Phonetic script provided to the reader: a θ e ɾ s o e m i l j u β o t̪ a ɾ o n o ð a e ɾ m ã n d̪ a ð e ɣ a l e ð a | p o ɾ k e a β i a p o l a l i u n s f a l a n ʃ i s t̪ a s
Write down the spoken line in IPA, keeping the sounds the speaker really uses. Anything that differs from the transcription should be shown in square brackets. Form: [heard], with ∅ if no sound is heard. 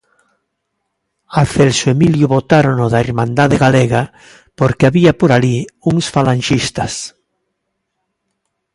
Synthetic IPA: a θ e [l] s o e m i l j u β o t̪ a ɾ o n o ð a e ɾ m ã n d̪ a ð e ɣ a l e [ɣ] a | p o ɾ k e a β i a p o [ɾ] a l i u [ŋ] s f a l a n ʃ i s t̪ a s

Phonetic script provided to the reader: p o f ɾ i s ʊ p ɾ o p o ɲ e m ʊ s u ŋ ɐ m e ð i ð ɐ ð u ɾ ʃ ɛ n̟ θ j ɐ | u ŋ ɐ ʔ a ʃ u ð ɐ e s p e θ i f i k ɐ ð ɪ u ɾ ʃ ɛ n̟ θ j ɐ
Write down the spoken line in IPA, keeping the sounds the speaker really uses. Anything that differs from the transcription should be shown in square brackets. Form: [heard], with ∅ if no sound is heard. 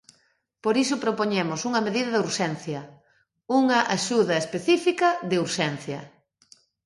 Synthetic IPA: p o [∅] ɾ i s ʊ p ɾ o p o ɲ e m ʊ s u ŋ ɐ m e ð i ð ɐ ð u ɾ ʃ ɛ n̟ θ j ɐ | u ŋ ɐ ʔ a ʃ u ð ɐ e s p e θ i f i k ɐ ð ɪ u ɾ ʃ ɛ n̟ θ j ɐ

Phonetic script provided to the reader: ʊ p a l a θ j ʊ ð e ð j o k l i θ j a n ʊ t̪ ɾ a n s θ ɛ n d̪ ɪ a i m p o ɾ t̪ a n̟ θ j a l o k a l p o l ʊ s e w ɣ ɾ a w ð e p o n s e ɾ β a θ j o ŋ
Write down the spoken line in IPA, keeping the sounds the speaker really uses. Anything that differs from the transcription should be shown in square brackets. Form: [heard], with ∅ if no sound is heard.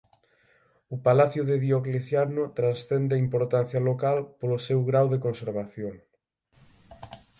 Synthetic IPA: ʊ p a l a θ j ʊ ð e ð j o k l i θ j a n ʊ t̪ ɾ a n s θ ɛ n d̪ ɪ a i m p o ɾ t̪ a n̟ θ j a l o k a l p o l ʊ s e w ɣ ɾ a w ð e [k] o n s e ɾ β a θ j o ŋ

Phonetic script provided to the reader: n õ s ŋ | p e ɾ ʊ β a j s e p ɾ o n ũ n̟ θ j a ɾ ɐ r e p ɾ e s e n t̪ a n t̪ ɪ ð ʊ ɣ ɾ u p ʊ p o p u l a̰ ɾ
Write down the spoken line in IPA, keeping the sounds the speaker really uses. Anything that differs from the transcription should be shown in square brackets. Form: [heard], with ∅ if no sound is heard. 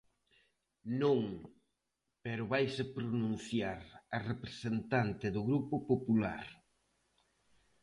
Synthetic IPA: n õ [∅] ŋ | p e ɾ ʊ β a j s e p ɾ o n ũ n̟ θ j a ɾ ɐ r e p ɾ e s e n t̪ a n t̪ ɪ ð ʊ ɣ ɾ u p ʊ p o p u l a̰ ɾ

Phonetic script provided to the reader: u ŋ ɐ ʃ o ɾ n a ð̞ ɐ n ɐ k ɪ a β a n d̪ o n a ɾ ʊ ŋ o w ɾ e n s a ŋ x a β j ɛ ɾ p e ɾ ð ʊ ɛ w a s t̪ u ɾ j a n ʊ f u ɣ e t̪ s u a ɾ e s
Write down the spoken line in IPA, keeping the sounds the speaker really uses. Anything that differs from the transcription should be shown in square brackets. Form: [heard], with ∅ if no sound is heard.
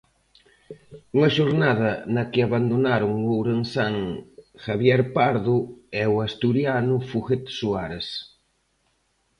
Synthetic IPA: u ŋ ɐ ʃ o ɾ n a ð̞ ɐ n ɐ k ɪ a β a n d̪ o n a ɾ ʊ ŋ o w ɾ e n s a ŋ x a β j ɛ ɾ p [a] ɾ ð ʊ ɛ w a s t̪ u ɾ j a n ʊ f u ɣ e t̪ s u a ɾ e s

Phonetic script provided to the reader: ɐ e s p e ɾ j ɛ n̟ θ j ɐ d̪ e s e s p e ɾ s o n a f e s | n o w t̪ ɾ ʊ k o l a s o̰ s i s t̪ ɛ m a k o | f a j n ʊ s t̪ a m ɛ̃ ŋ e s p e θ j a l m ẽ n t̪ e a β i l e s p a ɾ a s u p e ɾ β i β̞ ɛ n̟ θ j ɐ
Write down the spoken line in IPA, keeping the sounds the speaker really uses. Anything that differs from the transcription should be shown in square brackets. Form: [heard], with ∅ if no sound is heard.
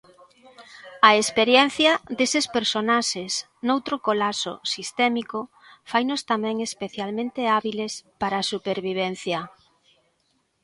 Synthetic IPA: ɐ e s p e ɾ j ɛ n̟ θ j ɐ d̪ e s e s p e ɾ s o n a [ʃ] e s | n o w t̪ ɾ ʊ k o l a s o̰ s i s t̪ ɛ m [i] k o | f a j n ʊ s t̪ a m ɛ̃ ŋ e s p e θ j a l m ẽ n t̪ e a β i l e s p a ɾ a s u p e ɾ β i β̞ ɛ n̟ θ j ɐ

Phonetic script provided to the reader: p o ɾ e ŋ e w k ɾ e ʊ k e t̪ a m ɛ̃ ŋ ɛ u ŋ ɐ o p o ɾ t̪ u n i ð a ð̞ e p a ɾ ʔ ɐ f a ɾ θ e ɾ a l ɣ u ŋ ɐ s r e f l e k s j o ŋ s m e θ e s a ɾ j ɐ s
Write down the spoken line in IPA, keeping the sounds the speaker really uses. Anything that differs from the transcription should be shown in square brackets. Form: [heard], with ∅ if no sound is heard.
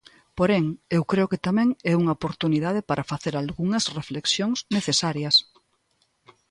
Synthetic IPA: p o ɾ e ŋ e w k ɾ e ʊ k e t̪ a m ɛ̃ ŋ ɛ u ŋ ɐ o p o ɾ t̪ u n i ð a ð̞ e p a ɾ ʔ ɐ f a [∅] θ e ɾ a l ɣ u ŋ ɐ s r e f l e k s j o ŋ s [n] e θ e s a ɾ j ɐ s

